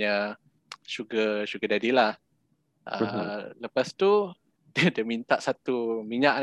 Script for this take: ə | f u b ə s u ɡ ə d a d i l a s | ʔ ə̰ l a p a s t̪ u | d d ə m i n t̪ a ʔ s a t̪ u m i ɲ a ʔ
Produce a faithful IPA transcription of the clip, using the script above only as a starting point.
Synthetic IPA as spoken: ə | ʃ u ɡ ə ʃ u ɡ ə d a d i l a h | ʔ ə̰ l ə p a s t̪ u | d d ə m i n t̪ a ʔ s a t̪ u m i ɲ a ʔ